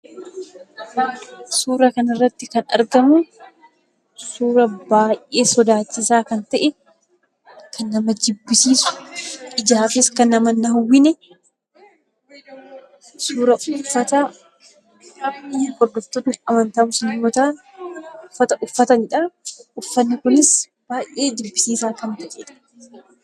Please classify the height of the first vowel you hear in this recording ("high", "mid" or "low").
high